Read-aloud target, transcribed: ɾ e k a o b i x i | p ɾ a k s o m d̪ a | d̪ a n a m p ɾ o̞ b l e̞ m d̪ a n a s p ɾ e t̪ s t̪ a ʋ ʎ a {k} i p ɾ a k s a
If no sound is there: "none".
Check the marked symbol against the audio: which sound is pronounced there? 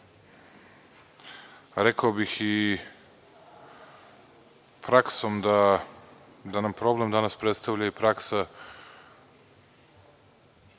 none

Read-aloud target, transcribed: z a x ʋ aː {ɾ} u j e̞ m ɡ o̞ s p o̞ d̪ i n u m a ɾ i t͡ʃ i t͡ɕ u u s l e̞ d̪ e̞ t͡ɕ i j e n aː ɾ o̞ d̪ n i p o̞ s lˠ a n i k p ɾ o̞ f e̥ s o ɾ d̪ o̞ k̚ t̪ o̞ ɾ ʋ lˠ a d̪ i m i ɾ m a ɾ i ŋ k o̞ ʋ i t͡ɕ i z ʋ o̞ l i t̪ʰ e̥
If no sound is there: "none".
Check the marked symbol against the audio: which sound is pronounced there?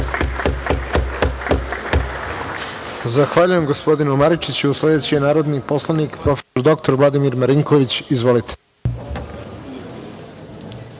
ʎ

